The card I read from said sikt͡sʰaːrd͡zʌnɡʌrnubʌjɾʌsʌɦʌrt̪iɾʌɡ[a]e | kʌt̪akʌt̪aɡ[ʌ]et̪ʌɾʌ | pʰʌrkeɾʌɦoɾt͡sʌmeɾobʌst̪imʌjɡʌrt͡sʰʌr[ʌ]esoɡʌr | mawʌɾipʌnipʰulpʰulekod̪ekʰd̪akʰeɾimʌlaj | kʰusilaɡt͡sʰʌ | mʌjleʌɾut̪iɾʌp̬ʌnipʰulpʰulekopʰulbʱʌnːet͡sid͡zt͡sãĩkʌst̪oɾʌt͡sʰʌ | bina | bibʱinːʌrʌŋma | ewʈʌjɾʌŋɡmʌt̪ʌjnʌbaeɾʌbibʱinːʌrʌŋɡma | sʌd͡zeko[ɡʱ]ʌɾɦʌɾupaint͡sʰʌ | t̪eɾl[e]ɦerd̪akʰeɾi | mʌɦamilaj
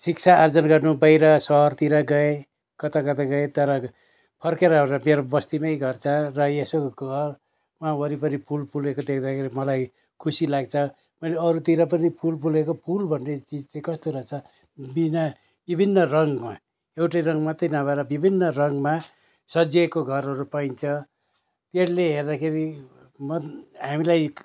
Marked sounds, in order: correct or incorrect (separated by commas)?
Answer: incorrect, correct, correct, correct, correct